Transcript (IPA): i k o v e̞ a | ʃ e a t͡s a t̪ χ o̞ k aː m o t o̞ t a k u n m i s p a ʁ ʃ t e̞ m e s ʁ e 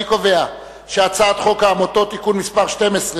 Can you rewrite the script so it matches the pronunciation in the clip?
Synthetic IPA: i k o v e̞ a | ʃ e a t͡s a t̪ χ o̞ k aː m o t o̞ t i k u n m i s p a ʁ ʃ t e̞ m e s ʁ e